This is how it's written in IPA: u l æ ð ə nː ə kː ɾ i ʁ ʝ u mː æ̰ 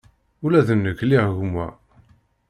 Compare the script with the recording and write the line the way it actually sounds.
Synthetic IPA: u l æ ð ə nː ə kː l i ʁ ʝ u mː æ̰